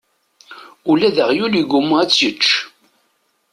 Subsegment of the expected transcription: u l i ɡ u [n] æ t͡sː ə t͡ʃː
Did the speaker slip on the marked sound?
yes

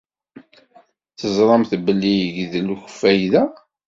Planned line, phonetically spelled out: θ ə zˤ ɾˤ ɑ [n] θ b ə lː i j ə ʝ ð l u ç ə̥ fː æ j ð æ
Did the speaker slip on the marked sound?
yes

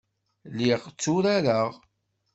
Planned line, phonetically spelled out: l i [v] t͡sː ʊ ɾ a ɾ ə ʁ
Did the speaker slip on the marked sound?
yes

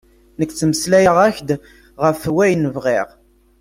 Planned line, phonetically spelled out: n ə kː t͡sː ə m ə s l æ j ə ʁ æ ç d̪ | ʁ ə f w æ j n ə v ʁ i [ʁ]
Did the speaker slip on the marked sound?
no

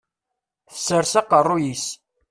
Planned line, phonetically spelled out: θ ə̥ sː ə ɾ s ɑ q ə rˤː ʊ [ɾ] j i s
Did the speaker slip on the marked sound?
yes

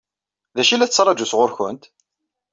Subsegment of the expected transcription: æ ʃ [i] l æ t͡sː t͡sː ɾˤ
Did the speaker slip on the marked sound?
no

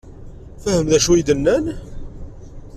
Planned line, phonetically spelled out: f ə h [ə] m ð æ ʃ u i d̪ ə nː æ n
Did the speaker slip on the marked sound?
no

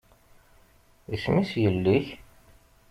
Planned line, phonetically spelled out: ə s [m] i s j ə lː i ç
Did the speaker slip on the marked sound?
no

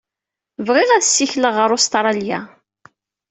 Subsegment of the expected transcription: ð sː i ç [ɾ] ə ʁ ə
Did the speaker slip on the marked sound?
yes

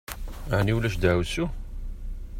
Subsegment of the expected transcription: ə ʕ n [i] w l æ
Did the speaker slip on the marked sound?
no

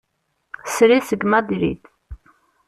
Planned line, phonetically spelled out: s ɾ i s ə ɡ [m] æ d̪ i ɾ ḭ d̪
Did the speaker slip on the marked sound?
no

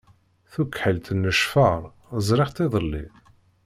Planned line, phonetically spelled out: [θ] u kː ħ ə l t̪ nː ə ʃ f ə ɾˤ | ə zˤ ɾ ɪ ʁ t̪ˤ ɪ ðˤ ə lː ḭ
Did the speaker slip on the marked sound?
no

